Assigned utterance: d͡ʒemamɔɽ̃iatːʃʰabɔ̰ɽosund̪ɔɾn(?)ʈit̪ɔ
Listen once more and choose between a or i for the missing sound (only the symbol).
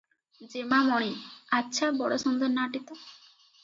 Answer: a